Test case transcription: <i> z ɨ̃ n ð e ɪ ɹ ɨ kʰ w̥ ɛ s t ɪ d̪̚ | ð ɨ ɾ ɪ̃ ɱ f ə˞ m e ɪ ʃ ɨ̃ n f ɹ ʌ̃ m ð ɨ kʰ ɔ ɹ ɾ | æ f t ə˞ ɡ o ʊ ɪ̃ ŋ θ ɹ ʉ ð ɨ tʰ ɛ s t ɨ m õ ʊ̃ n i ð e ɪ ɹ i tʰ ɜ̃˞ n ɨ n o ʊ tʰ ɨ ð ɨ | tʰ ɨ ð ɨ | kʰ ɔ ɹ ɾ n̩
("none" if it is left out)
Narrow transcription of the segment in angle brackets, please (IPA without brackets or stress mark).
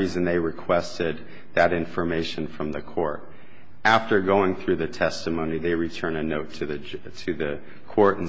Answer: i